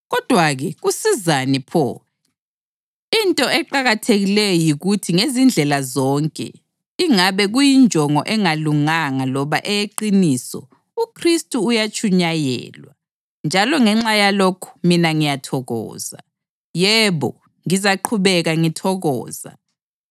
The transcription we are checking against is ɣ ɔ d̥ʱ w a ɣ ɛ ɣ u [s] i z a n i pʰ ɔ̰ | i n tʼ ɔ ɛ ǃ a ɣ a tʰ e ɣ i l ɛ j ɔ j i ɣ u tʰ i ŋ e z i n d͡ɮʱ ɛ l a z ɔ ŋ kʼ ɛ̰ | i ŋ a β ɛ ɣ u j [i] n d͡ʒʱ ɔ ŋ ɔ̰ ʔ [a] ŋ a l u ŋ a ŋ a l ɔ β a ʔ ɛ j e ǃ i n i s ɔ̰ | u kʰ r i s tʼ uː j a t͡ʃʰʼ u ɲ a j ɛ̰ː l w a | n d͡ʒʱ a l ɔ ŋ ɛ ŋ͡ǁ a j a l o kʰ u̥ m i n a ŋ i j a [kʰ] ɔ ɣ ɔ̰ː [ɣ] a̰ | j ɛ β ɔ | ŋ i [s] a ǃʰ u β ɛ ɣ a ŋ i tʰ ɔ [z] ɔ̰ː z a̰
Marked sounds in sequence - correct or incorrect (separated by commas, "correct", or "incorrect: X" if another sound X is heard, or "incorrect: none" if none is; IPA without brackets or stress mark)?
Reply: correct, correct, incorrect: ɛ, incorrect: tʰ, incorrect: z, incorrect: z, incorrect: ɣ